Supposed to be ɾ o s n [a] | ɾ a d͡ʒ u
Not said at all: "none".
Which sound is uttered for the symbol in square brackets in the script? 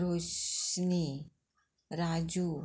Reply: i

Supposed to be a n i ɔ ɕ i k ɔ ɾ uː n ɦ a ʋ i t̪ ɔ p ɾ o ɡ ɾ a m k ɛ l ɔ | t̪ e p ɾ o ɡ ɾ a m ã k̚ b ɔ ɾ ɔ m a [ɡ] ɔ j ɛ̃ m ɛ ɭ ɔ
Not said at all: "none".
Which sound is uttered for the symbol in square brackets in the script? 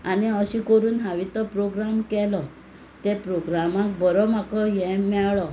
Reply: k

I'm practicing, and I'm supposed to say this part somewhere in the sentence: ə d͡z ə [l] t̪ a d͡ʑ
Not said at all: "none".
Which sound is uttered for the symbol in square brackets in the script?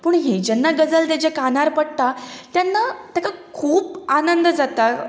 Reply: l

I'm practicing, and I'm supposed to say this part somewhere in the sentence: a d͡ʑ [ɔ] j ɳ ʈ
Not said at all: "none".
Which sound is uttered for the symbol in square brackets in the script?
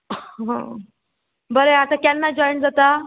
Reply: ɔ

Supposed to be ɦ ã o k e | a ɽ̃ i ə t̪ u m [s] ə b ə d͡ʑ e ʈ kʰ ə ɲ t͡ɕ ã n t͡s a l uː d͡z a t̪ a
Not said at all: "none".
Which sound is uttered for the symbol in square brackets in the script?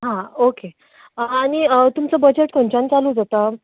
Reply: t͡s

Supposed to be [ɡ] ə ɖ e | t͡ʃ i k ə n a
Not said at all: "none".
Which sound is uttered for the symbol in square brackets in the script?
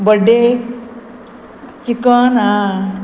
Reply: b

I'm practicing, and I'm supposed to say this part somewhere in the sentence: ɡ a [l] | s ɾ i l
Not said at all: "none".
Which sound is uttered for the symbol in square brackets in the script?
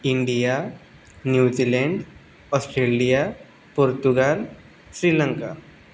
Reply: l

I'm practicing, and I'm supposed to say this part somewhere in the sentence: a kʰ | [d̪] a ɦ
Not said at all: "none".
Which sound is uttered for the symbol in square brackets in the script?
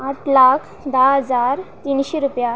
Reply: d̪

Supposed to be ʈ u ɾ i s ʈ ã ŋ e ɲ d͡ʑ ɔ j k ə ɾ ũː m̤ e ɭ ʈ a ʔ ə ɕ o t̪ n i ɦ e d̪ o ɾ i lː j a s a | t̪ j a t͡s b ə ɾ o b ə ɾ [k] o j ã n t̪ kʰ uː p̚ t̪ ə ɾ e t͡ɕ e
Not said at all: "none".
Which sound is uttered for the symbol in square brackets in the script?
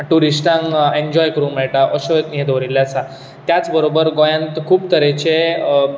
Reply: ɡ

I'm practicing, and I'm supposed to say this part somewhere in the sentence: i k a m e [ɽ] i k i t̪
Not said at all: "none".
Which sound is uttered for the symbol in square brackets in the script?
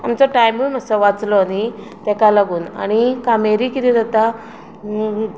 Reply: ɾ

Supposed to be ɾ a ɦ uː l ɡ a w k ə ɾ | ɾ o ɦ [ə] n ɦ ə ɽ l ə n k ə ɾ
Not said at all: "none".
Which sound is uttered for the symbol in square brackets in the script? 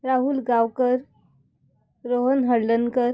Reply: ə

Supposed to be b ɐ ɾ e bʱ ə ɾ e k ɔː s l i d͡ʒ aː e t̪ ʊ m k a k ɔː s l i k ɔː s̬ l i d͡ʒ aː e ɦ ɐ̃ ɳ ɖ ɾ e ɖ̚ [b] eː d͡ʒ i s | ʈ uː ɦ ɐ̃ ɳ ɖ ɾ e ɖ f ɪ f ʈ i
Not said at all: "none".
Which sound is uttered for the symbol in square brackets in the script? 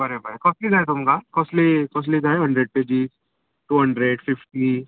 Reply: p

